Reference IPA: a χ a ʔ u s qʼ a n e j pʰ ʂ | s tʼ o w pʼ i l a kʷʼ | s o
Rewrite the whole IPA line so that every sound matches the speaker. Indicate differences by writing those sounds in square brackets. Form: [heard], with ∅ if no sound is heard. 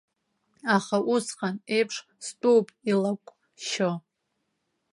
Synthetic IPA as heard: a χ a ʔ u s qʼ a n e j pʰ ʂ | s tʼ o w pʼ i l a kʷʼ | [ʃ] o